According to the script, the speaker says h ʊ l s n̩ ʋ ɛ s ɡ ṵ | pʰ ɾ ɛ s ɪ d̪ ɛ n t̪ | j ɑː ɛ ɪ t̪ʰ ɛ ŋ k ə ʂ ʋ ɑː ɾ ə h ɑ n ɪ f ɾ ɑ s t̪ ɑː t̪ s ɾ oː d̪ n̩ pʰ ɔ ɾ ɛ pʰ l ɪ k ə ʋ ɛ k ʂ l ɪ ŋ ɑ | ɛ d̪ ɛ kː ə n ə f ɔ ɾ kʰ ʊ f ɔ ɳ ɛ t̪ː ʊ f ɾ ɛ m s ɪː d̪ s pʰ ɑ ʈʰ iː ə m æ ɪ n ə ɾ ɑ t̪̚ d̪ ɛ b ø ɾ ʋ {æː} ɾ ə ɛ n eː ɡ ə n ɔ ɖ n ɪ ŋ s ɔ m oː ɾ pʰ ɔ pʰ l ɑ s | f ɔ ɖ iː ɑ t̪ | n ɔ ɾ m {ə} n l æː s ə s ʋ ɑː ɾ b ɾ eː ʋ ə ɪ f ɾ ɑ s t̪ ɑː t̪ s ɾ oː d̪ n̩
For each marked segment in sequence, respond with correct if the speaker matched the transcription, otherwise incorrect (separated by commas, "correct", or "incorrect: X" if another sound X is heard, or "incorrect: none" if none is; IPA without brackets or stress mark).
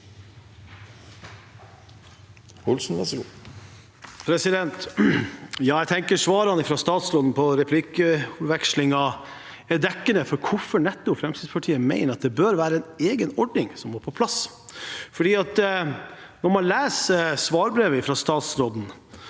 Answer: correct, incorrect: ɑ